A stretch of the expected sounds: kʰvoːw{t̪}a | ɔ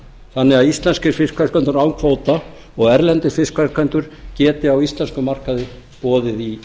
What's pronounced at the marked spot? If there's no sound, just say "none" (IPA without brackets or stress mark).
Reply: t̪